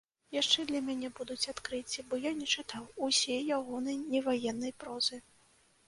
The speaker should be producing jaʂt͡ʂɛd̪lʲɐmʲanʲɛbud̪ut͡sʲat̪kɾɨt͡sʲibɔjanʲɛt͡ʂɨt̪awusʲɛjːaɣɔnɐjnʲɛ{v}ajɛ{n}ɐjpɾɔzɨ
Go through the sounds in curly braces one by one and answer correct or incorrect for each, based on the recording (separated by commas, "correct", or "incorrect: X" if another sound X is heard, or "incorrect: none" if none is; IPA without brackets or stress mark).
correct, incorrect: nː